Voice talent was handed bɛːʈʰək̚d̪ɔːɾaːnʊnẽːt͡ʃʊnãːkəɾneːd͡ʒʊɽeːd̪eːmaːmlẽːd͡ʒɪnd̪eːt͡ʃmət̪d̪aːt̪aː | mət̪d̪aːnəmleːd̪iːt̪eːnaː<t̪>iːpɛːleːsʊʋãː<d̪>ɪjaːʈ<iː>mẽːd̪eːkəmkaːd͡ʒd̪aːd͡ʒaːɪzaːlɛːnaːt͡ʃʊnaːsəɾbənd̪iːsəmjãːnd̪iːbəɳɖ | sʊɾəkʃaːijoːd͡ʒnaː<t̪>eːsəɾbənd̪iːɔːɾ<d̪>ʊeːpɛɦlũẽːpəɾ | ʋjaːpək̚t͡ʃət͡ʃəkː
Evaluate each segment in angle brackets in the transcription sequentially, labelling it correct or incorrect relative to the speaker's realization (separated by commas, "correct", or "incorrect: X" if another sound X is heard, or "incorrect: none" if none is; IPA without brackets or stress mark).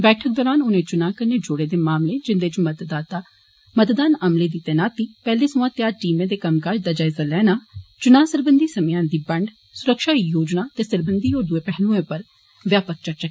correct, incorrect: t̪, correct, correct, correct